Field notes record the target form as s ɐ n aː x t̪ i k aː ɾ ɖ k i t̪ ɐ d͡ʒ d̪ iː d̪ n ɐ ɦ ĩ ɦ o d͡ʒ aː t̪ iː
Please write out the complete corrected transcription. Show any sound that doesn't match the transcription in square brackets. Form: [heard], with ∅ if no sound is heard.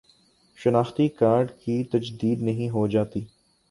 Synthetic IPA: [ʃ] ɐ n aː x t̪ i k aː ɾ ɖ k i t̪ ɐ d͡ʒ d̪ iː d̪ n ɐ ɦ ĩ ɦ o d͡ʒ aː t̪ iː